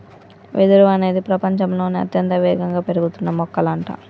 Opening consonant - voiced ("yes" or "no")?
yes